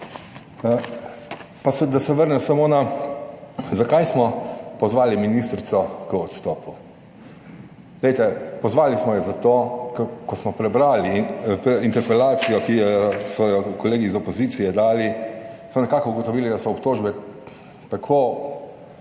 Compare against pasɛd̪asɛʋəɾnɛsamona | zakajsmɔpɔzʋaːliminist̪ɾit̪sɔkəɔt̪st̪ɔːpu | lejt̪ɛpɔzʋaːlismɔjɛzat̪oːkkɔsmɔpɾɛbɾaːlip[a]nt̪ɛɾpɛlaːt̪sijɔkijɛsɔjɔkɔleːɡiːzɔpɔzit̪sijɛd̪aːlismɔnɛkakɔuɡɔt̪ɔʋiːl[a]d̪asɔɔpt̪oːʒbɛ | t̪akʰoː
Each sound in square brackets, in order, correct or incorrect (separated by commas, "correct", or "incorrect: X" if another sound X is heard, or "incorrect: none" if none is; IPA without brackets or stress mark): incorrect: i, incorrect: i